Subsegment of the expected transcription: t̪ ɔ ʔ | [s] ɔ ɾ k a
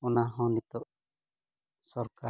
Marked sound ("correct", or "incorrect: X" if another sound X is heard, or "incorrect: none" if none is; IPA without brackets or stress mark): correct